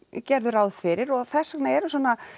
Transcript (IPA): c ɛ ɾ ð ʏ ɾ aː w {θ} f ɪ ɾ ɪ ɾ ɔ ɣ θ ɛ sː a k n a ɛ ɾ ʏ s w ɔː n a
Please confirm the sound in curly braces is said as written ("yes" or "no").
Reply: no